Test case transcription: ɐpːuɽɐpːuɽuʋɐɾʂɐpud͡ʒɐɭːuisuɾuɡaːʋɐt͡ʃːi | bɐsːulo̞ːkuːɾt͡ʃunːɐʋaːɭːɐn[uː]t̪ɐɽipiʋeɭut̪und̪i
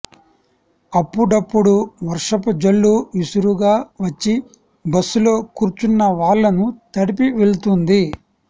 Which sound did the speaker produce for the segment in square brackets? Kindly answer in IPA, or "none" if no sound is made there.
u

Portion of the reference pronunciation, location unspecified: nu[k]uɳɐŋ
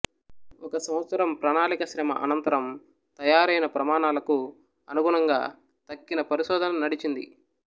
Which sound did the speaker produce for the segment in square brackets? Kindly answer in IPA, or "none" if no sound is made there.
ɡ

